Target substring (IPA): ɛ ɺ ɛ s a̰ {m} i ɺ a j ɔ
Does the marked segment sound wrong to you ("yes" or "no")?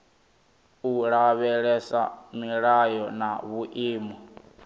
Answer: no